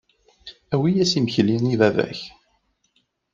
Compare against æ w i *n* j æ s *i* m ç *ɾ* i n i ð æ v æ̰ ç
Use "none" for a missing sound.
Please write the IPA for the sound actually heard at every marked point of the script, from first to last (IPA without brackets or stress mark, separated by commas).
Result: none, i, l